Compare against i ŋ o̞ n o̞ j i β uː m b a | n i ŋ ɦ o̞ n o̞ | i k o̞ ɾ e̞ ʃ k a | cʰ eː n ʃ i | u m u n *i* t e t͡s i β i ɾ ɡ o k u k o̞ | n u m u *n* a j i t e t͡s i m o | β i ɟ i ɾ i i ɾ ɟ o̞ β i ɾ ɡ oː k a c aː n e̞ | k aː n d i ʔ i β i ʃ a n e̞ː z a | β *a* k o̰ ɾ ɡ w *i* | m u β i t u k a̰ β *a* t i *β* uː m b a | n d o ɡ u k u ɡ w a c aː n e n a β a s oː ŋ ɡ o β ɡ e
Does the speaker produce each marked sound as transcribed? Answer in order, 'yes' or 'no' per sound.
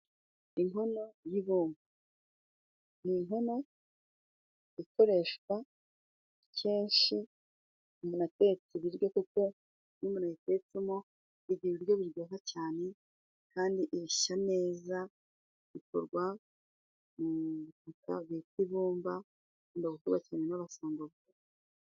no, yes, no, no, no, yes

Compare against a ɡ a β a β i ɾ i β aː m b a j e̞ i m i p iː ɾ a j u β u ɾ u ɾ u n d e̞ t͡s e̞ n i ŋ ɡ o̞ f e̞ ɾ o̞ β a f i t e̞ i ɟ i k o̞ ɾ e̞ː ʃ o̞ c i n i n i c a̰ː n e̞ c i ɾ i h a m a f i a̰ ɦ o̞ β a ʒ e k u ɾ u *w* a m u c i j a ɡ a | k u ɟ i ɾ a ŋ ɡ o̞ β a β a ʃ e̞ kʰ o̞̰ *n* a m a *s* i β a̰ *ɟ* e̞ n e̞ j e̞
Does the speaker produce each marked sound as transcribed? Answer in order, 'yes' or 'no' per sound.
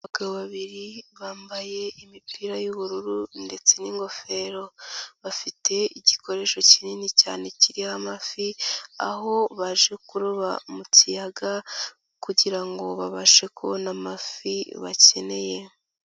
no, yes, no, no

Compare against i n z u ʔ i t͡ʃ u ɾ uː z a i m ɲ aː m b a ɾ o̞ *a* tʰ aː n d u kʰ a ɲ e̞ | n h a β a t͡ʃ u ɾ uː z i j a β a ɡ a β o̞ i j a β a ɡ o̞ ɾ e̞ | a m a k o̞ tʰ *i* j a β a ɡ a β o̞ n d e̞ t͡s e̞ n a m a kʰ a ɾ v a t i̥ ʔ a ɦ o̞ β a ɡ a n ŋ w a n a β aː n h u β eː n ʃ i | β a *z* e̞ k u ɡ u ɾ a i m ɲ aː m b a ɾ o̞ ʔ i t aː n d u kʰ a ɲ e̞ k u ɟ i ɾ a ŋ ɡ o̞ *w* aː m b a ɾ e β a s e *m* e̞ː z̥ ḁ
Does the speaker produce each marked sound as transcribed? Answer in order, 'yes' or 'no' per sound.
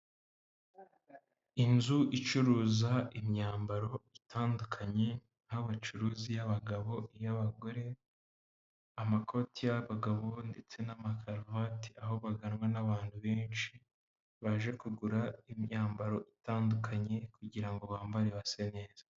no, yes, no, no, no

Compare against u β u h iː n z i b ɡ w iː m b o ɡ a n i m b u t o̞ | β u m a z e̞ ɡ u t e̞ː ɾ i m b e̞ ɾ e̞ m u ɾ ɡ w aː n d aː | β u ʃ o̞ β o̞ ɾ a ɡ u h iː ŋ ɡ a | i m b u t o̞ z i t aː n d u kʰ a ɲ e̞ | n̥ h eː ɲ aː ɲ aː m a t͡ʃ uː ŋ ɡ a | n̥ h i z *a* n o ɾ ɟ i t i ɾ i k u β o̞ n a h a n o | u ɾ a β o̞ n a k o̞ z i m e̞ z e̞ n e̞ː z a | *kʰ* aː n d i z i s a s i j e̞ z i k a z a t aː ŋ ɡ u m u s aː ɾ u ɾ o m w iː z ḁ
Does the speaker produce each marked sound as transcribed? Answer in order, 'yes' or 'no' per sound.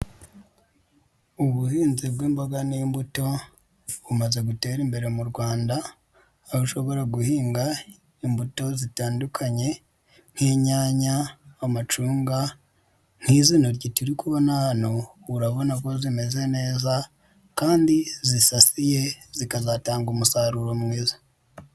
no, no

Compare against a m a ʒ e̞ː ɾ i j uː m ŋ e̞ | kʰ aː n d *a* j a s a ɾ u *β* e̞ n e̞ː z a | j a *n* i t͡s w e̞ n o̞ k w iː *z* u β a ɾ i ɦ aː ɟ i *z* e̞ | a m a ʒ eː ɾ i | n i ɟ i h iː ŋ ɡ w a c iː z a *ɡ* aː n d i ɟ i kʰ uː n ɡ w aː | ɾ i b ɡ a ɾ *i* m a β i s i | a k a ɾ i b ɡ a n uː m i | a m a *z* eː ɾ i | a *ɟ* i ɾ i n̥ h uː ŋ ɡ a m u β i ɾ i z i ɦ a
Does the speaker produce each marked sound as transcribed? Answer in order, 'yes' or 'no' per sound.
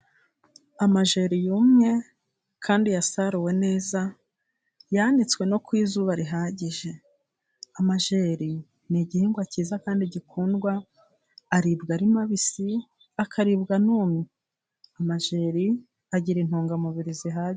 no, no, yes, yes, no, no, yes, no, yes

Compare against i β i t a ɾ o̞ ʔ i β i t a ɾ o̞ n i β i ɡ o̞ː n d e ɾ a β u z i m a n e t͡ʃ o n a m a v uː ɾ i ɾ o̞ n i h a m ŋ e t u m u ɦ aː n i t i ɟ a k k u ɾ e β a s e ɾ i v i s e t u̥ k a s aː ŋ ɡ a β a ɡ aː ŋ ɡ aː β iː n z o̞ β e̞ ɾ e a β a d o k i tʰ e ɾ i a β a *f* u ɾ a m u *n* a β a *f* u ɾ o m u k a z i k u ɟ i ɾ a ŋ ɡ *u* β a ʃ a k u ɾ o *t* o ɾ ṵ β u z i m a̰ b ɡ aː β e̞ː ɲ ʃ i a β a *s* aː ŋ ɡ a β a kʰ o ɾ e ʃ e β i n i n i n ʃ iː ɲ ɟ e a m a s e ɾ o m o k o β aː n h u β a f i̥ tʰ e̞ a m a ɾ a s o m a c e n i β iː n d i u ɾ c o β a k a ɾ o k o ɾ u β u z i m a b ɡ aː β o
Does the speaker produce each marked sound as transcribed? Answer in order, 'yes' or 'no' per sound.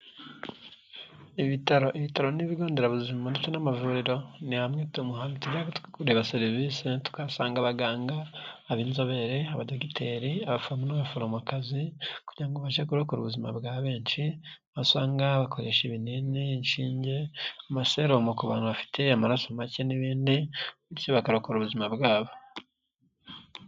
yes, yes, yes, no, no, yes

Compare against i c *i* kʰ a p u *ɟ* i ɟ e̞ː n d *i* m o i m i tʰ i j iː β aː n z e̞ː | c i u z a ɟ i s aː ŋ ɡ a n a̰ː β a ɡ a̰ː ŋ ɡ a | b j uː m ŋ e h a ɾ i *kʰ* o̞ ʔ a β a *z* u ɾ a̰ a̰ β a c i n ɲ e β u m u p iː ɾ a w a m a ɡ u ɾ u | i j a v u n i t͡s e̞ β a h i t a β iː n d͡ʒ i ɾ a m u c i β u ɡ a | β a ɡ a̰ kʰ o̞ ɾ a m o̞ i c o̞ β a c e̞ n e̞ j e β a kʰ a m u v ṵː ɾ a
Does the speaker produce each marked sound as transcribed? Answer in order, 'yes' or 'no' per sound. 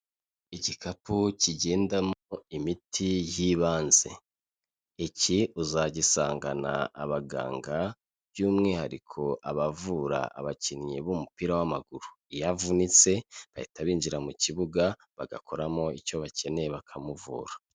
yes, no, no, yes, no

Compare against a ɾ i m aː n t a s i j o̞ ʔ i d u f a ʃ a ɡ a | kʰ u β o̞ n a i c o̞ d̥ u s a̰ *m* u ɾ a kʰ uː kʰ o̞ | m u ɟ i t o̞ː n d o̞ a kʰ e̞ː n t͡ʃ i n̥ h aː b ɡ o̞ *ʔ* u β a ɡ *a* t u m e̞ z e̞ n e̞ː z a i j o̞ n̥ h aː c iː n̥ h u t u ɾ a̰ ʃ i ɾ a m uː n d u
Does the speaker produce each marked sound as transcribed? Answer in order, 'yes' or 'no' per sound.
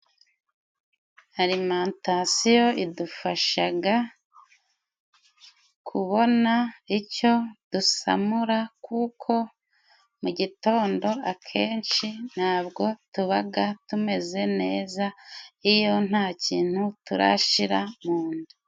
yes, no, yes

